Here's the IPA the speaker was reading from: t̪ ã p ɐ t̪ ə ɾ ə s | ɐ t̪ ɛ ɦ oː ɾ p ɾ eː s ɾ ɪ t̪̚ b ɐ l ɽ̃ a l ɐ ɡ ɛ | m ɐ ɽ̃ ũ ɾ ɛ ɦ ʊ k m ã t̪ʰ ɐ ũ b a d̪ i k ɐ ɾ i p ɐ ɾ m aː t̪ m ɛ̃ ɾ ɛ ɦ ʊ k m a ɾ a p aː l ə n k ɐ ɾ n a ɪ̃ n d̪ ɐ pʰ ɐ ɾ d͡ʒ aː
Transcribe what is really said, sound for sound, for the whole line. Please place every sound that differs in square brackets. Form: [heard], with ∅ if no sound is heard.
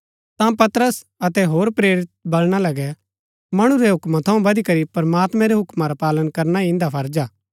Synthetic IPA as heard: t̪ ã p ɐ t̪ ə ɾ ə s | ɐ t̪ ɛ ɦ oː ɾ p ɾ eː [∅] ɾ ɪ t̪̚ b ɐ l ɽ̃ a l ɐ ɡ ɛ | m ɐ ɽ̃ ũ ɾ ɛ ɦ ʊ k m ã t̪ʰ ɐ ũ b [ɐ] d̪ i k ɐ ɾ i p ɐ ɾ m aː t̪ m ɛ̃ ɾ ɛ ɦ ʊ k m a ɾ a p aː l ə n k ɐ ɾ n a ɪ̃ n d̪ [a] pʰ ɐ ɾ d͡ʒ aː